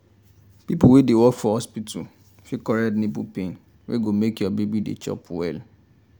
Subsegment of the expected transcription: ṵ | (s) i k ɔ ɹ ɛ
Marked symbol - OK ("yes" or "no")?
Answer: no